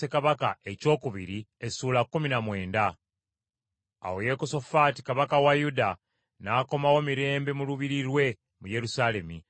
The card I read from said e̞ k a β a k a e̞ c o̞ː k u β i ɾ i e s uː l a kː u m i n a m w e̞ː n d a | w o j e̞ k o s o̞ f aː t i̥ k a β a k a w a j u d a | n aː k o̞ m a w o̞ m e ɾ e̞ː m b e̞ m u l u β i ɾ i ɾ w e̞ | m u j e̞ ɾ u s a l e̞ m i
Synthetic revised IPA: e̞ k a β a k a e̞ c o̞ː k u β i ɾ i e s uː l a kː u m i n a m w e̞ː n d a | w o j e̞ k o s o̞ f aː t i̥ k a β a k a w a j u d a | n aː k o̞ m a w o̞ m i ɾ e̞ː m b e̞ m u l u β i ɾ i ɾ w e̞ | m u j e̞ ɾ u s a l e̞ m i